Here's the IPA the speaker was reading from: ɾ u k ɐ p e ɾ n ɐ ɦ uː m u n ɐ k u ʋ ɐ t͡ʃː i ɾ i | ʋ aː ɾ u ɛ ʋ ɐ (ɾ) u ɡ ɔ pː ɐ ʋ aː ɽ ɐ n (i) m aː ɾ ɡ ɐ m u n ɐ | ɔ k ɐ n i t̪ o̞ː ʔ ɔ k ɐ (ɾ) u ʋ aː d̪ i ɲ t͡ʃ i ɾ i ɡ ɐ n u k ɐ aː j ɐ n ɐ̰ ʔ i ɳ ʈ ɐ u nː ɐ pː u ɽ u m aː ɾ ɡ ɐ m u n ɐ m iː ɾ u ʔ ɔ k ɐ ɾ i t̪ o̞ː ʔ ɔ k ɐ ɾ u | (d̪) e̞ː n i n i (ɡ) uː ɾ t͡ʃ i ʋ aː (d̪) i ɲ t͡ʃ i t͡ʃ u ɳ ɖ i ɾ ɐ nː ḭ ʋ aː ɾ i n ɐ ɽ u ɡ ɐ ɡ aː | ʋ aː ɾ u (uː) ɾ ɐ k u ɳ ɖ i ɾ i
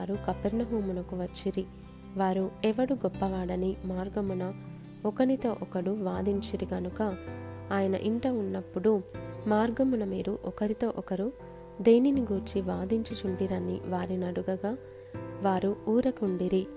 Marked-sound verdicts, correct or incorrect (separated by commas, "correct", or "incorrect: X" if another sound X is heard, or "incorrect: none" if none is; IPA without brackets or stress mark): incorrect: ɽ, correct, incorrect: ɽ, correct, correct, correct, correct